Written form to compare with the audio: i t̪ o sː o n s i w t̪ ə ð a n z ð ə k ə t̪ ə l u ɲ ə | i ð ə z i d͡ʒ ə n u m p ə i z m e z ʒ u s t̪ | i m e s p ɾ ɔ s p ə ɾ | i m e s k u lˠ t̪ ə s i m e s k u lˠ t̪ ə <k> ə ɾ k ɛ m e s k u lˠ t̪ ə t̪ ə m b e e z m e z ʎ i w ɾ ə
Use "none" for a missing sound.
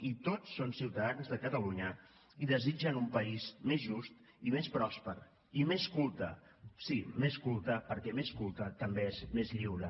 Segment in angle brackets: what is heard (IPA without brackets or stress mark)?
p